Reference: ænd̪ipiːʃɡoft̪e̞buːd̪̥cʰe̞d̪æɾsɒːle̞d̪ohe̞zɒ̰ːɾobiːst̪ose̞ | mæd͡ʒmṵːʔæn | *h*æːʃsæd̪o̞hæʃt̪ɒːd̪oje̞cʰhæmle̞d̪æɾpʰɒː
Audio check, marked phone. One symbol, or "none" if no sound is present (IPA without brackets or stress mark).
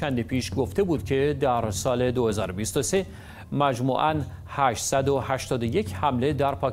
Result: h